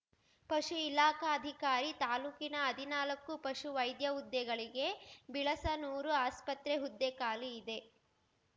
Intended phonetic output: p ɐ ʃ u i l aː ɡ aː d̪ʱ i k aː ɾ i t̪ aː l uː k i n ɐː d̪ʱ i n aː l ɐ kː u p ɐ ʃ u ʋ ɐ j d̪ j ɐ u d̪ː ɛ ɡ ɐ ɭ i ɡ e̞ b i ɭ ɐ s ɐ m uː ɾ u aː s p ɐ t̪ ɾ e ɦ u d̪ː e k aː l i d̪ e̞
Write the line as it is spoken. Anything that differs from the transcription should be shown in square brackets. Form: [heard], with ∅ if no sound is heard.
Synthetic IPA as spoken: p ɐ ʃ u i l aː [k] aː d̪ʱ i k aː ɾ i t̪ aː l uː k i n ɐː d̪ʱ i n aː l ɐ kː u p ɐ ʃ u ʋ ɐ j d̪ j ɐ u d̪ː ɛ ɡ ɐ ɭ i ɡ e̞ b i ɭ ɐ s ɐ [n] uː ɾ u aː s p ɐ t̪ ɾ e ɦ u d̪ː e k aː l [iː] d̪ e̞